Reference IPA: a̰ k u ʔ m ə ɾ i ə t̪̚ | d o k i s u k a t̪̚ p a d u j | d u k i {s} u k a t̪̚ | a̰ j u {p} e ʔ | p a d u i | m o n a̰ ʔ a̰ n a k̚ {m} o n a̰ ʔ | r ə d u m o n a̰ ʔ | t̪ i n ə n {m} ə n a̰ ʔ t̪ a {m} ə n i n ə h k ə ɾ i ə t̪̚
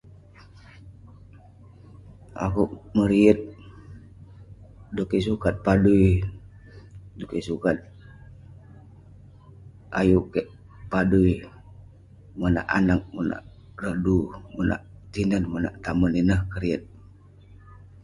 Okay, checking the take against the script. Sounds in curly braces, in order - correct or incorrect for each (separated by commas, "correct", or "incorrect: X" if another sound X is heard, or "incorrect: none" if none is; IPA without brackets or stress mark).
correct, incorrect: k, correct, correct, correct